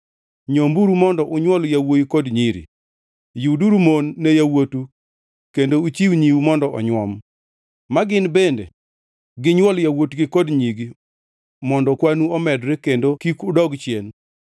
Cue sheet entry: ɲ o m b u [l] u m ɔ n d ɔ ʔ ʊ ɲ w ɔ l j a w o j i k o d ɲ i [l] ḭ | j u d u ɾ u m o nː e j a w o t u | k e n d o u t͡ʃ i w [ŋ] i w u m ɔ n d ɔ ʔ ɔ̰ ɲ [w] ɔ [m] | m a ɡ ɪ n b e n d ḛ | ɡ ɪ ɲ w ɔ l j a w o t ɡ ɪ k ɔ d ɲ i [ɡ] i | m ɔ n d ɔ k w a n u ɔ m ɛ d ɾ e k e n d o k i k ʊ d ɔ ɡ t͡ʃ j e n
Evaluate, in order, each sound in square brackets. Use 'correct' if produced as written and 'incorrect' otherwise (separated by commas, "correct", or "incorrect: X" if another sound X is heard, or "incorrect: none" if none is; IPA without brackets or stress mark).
incorrect: ɾ, incorrect: ɾ, incorrect: ɲ, correct, correct, correct